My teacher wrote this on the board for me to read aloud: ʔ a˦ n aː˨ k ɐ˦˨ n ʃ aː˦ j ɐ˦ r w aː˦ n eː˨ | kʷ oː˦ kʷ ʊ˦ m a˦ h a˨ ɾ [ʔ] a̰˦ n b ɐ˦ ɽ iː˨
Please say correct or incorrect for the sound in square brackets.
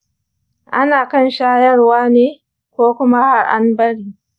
correct